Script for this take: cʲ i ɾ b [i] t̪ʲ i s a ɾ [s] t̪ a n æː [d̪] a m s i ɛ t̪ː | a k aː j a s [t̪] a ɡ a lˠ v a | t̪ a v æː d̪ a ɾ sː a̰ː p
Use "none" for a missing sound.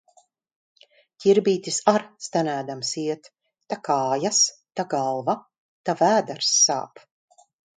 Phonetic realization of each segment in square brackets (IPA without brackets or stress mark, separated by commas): iː, s, d̪, t̪